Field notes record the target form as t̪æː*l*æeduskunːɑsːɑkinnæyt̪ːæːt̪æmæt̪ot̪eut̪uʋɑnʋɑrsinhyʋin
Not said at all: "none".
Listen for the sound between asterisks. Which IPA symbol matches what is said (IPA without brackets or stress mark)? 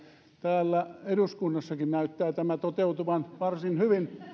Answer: lː